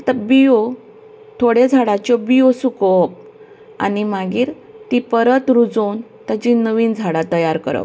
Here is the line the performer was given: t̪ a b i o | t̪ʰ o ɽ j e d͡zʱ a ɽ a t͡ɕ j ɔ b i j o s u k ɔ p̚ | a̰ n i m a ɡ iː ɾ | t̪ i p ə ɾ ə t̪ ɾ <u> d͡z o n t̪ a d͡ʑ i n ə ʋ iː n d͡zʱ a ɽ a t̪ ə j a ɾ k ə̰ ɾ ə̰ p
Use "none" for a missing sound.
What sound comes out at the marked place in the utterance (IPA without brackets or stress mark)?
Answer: u